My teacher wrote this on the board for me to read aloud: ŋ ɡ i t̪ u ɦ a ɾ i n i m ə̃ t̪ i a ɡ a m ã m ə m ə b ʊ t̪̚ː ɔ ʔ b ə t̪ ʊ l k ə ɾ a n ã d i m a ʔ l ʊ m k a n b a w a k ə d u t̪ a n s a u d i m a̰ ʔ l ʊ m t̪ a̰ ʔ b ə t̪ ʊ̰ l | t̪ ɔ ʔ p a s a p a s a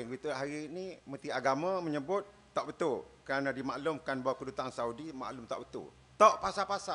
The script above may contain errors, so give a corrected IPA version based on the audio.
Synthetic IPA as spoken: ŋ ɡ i t̪ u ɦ a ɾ i n i m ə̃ t̪ i a ɡ a m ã m ə ɲ ə b ʊ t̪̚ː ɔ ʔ b ə t̪ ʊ l k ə ɾ a n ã d i m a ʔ l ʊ m k a n b a w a k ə d u t̪ a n s a u d i m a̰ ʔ l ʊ m t̪ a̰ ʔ b ə t̪ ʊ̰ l | t̪ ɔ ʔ p a s a p a s a